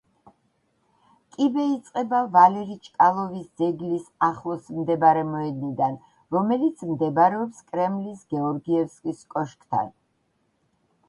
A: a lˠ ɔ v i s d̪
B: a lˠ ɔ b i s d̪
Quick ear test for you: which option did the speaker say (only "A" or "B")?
A